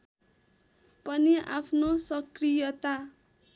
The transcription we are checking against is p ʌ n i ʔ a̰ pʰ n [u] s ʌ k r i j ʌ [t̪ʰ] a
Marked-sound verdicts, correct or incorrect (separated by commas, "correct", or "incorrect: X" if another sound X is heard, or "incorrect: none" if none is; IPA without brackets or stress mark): incorrect: o, incorrect: t̪